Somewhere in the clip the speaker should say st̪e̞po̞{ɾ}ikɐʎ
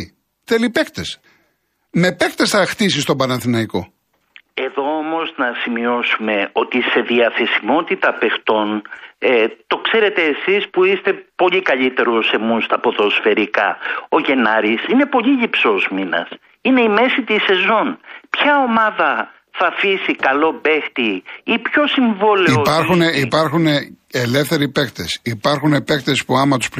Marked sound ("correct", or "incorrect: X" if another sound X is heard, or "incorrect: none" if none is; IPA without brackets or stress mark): incorrect: ʎ